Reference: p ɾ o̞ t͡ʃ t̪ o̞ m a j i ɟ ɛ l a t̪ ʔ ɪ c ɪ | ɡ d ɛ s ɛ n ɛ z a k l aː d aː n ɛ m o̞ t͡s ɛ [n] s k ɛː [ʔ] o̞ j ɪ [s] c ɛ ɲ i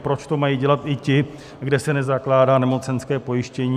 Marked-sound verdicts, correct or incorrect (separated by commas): correct, incorrect, incorrect